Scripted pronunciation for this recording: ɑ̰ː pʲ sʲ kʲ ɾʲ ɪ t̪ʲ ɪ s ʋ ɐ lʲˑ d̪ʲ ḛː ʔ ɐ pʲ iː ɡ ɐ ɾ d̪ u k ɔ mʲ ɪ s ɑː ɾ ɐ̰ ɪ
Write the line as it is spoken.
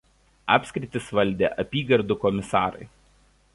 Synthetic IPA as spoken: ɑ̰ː pʲ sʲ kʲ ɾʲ ɪ t̪ʲ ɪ s ʋ ɐ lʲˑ d̪ʲ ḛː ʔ ɐ pʲ iː ɡ ɐ ɾ d̪ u k ɔ mʲ ɪ s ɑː ɾ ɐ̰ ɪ